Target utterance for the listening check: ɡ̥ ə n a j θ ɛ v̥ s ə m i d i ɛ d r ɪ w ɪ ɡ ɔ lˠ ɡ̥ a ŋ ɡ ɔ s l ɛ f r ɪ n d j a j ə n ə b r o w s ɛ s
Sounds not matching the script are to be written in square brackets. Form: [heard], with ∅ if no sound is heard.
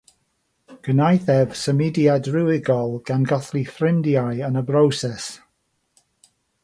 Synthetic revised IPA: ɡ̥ ə n a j θ ɛ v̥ s ə m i d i [a] d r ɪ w ɪ ɡ ɔ lˠ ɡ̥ a [n] ɡ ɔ [θ] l [i] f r ɪ n d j a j ə n ə b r o w s ɛ s